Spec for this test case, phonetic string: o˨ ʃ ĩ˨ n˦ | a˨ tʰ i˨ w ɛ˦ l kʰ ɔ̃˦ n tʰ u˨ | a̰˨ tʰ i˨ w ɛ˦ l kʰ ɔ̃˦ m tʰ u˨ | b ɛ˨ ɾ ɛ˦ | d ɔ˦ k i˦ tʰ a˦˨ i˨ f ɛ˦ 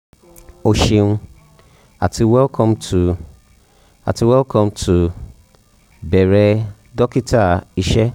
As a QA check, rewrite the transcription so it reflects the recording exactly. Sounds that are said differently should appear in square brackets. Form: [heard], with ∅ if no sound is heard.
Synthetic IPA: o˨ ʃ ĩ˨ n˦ | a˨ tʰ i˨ w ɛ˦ l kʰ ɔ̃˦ [m] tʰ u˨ | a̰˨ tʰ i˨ w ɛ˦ l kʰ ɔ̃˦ m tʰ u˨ | b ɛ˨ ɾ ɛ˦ | d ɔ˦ k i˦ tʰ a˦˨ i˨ [ʃ] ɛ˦